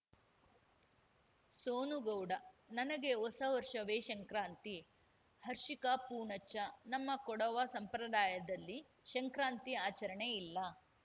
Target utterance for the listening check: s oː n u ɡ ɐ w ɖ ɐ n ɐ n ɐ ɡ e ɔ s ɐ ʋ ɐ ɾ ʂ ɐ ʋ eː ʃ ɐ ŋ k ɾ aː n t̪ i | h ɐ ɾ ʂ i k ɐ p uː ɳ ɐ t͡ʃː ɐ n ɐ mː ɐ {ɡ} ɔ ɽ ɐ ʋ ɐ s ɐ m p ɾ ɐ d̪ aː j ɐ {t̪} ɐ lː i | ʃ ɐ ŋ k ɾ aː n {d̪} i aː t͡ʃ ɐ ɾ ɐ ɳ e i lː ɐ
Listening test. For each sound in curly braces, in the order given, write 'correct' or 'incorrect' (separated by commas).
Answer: incorrect, incorrect, incorrect